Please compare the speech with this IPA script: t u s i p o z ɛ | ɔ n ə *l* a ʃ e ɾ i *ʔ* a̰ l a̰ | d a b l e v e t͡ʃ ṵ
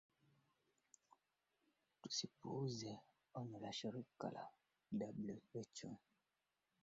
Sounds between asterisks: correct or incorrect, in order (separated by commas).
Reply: correct, incorrect